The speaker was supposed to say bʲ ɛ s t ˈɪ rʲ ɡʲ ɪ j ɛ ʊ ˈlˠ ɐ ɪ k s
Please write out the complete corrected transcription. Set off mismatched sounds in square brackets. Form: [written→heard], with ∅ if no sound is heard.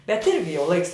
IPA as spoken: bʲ ɛ [s→∅] t ˈɪ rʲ ɡʲ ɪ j ɛ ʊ ˈlˠ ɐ ɪ k s